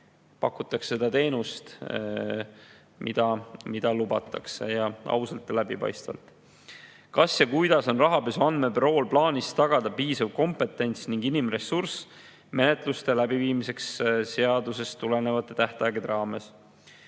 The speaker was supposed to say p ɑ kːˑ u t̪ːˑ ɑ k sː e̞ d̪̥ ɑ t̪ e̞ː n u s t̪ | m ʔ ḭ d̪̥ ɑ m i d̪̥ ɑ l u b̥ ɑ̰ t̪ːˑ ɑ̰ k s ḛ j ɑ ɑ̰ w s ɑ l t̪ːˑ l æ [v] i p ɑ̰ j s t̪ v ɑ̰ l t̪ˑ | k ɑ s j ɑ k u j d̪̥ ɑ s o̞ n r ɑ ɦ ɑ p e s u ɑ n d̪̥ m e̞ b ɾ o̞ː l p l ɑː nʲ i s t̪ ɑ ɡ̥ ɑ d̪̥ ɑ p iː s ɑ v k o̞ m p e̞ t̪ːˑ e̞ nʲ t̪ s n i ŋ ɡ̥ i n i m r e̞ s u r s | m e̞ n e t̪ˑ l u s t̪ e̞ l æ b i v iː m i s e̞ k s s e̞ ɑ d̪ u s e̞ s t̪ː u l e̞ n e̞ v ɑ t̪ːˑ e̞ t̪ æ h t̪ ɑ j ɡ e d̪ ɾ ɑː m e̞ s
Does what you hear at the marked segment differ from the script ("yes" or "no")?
yes